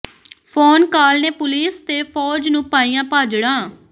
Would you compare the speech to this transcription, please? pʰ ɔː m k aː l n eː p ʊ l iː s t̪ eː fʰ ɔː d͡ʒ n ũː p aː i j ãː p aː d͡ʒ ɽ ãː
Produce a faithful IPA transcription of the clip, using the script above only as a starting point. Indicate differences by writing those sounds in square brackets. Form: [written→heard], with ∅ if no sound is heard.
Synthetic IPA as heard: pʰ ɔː [m→n] k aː l n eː p ʊ l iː s t̪ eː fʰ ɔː d͡ʒ n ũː p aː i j ãː p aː d͡ʒ ɽ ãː